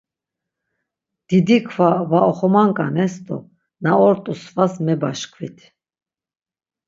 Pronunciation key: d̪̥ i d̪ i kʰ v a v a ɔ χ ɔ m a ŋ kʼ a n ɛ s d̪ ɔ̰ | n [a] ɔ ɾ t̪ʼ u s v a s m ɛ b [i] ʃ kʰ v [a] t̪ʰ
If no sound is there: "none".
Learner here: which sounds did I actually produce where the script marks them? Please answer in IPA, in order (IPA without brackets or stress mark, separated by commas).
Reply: a, a, i